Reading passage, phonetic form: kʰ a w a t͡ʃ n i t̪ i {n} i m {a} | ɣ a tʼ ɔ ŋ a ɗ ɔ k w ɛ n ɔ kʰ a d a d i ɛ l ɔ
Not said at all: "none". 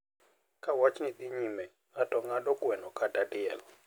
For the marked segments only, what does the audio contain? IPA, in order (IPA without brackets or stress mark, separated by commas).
ɲ, ɛ